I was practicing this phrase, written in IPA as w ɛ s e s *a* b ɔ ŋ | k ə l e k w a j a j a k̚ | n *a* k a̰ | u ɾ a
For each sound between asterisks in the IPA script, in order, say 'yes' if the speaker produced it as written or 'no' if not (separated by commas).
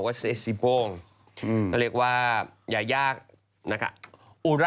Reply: no, yes